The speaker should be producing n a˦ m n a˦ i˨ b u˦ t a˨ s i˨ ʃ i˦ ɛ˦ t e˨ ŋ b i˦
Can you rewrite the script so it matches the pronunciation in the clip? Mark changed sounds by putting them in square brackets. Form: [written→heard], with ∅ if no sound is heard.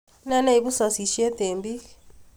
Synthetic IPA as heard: n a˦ [m→∅] n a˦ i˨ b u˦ [t→s] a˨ s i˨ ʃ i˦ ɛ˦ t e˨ [ŋ→m] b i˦